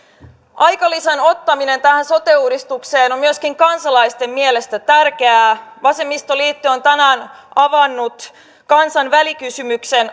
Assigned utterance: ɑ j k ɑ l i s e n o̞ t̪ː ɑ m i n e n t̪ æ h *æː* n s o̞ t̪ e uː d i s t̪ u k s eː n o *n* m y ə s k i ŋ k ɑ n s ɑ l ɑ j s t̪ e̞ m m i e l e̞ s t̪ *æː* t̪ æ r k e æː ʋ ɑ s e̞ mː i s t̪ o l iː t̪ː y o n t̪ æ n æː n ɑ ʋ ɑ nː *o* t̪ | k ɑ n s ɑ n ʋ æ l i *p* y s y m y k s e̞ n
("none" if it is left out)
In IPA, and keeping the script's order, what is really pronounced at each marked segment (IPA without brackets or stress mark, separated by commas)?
æ, m, æ, u, k